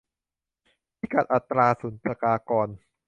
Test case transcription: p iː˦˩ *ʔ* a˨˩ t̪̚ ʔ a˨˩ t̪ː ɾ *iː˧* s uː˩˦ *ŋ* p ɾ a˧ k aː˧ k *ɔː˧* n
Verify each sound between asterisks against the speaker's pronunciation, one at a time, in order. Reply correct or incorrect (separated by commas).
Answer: incorrect, incorrect, incorrect, correct